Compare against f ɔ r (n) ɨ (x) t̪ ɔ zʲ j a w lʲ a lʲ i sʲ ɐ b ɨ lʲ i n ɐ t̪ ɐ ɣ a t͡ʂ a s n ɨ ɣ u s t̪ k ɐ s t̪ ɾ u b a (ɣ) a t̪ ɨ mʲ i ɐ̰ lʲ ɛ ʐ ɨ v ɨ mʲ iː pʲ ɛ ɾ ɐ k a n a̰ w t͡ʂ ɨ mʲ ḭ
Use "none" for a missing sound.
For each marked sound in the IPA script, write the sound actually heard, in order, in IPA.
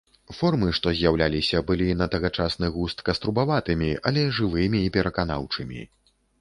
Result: m, ʂ, v

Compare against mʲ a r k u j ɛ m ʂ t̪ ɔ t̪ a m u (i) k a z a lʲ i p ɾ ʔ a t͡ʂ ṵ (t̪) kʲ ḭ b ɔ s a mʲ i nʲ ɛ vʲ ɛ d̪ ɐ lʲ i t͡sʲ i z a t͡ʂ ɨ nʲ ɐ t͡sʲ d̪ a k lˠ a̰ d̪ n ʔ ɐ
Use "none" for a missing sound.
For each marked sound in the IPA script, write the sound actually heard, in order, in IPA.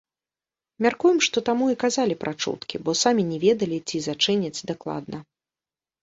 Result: i, t̪

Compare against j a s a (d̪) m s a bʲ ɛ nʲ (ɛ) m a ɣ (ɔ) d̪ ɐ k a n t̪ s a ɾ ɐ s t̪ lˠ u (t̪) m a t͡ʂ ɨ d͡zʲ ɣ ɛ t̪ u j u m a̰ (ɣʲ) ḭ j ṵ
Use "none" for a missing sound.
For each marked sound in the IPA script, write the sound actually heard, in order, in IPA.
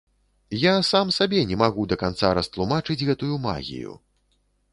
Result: none, ɛ, u, none, ɣʲ

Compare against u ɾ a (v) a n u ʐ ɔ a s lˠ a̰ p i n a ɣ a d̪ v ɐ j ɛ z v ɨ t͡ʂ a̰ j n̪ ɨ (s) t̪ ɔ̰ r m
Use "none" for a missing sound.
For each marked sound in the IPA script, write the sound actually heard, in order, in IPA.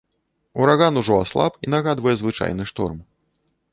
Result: ɣ, ʂ

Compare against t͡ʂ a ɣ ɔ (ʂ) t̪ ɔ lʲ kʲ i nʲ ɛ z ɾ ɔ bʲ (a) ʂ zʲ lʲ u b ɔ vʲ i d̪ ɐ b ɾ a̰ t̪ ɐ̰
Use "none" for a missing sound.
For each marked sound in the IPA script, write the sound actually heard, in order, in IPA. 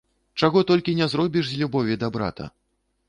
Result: none, i

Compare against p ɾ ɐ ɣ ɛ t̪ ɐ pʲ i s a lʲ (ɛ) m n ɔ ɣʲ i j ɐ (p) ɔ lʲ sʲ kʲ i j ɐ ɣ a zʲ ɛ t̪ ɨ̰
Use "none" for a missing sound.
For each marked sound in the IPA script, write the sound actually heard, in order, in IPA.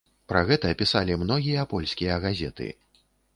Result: i, p

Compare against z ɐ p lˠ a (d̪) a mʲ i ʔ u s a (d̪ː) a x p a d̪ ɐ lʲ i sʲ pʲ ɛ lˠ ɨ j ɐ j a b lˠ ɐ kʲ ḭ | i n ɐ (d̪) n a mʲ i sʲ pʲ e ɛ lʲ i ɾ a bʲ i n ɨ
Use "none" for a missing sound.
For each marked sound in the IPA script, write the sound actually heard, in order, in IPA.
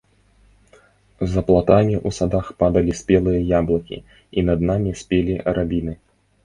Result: t̪, d̪, d̪

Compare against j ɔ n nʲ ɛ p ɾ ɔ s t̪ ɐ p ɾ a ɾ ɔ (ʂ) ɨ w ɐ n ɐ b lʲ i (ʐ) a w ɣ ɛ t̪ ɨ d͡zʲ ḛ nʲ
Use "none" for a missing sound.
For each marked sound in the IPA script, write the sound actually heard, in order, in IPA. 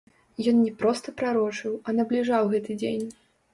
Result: t͡ʂ, ʐ

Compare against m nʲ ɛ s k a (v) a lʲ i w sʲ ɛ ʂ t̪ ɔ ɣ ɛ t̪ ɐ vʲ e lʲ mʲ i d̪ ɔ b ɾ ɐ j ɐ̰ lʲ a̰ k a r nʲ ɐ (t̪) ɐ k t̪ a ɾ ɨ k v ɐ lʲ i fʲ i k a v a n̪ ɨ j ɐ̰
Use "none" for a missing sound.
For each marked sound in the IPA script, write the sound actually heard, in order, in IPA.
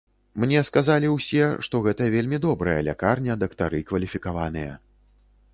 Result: z, d̪

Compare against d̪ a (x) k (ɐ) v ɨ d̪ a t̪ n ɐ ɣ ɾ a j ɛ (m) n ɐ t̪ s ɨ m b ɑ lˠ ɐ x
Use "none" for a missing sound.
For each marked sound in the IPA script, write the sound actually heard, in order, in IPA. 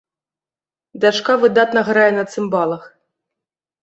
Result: ʂ, a, none

